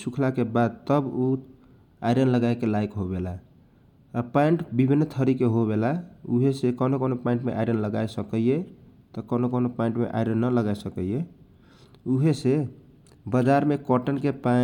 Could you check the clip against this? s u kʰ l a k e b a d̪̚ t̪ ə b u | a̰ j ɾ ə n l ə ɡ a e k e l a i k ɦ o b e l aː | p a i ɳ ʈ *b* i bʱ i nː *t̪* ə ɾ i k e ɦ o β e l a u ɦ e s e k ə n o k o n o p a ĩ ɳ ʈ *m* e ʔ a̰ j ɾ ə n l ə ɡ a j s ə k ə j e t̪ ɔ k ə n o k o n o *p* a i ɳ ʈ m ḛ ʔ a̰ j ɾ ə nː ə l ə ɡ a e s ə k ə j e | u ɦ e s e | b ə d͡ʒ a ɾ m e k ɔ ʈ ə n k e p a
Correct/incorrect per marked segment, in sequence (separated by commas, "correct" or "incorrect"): correct, incorrect, correct, correct